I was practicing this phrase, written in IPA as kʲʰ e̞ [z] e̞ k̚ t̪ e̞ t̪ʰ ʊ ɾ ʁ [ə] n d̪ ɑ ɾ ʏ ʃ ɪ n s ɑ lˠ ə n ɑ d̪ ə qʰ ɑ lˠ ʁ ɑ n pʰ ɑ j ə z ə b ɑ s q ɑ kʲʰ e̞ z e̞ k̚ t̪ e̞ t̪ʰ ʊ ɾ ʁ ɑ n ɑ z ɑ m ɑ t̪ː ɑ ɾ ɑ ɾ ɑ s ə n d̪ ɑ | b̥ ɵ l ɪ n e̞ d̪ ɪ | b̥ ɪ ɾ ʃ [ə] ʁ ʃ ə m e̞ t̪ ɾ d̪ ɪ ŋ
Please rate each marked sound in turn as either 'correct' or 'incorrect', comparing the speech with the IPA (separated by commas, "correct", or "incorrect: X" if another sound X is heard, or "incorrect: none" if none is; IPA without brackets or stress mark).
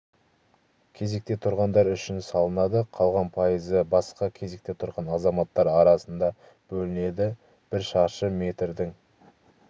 correct, incorrect: ɑ, incorrect: ɑ